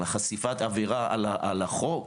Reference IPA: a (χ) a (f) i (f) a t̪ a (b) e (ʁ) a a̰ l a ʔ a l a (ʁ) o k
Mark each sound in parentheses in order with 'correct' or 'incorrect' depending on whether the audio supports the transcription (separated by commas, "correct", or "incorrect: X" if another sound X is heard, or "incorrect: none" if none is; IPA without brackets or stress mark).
correct, incorrect: s, correct, incorrect: v, correct, incorrect: χ